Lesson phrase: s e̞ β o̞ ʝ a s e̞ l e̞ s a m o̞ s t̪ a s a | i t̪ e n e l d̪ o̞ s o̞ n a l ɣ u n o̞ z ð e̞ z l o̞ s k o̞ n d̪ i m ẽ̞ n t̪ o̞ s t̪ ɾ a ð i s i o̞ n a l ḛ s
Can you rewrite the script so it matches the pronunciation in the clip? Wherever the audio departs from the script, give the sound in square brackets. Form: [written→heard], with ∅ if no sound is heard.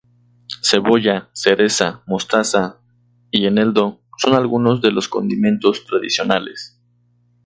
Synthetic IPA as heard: s e̞ β o̞ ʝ a s e̞ [l→ɾ] e̞ s a m o̞ s t̪ a s a | i [t̪→∅] e n e l d̪ o̞ s o̞ n a l ɣ u n o̞ z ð e̞ [z→∅] l o̞ s k o̞ n d̪ i m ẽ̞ n t̪ o̞ s t̪ ɾ a ð i s [i→j] o̞ n a l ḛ s